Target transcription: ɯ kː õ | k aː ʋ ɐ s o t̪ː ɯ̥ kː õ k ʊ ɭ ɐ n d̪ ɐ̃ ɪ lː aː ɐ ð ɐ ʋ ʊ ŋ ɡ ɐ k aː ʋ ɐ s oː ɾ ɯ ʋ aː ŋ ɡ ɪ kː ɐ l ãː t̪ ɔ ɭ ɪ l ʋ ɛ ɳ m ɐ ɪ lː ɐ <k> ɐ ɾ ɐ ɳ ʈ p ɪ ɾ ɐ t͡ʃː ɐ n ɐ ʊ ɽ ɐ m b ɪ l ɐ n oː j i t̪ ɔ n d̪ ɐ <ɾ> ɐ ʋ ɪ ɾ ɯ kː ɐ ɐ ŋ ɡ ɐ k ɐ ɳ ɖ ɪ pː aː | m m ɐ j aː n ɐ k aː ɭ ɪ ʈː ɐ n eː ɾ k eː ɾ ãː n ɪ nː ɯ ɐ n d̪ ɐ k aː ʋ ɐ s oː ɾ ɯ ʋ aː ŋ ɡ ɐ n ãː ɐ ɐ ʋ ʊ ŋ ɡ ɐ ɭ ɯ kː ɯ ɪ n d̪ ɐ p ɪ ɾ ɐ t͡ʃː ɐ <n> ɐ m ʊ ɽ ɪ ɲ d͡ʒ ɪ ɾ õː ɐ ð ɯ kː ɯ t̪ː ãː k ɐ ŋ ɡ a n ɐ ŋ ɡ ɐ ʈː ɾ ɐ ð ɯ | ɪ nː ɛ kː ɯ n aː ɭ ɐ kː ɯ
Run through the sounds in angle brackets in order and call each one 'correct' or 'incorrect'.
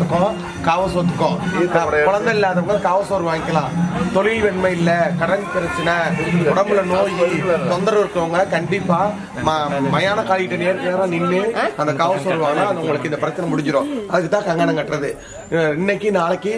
correct, correct, correct

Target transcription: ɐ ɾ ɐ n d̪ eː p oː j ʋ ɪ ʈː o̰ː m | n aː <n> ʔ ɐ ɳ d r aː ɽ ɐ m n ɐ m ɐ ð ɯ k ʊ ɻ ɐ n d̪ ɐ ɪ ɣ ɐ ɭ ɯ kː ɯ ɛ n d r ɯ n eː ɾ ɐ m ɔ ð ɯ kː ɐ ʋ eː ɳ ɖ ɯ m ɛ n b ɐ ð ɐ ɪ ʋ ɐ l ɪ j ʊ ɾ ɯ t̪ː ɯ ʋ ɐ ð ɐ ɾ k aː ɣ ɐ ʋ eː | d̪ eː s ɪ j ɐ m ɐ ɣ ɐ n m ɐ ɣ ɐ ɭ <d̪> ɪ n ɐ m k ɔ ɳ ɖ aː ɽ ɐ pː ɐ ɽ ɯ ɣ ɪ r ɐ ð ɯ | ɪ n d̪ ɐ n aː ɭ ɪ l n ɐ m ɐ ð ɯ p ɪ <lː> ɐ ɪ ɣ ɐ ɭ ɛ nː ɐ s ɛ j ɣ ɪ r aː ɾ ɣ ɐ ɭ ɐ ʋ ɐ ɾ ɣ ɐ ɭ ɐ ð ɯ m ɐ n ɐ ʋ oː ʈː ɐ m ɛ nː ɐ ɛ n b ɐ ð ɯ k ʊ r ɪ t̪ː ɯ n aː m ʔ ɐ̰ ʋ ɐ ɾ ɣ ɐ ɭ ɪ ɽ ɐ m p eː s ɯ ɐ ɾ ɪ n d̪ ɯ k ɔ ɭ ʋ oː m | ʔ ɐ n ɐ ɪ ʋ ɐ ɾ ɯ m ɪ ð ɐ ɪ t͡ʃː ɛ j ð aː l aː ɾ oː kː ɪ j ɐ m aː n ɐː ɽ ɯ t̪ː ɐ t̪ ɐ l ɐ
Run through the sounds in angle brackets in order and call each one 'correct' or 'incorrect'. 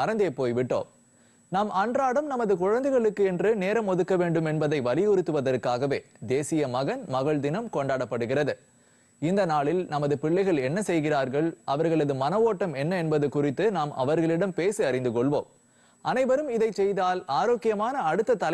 incorrect, correct, incorrect

